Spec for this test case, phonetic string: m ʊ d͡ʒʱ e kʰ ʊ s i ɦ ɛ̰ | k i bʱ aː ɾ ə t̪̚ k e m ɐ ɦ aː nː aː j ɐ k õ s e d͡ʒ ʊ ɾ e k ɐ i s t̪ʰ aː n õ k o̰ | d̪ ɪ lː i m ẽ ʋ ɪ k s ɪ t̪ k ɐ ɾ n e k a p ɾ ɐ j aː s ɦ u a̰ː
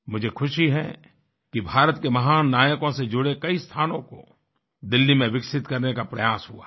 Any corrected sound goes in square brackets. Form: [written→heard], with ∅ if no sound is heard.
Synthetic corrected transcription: m ʊ d͡ʒʱ e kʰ ʊ [s→ʃ] i ɦ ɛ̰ | k i bʱ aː ɾ ə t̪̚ k e m ɐ ɦ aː nː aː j [ɐ→ə] k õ s e d͡ʒ ʊ [ɾ→ɽ] e k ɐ i s t̪ʰ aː n õ k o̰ | d̪ ɪ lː i m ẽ ʋ ɪ k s ɪ t̪ k ɐ ɾ n e k a p ɾ ɐ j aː s ɦ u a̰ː